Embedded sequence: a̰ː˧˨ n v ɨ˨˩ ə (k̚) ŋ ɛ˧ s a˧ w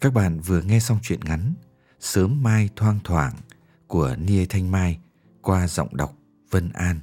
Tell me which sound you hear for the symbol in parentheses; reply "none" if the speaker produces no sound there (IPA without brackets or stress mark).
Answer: none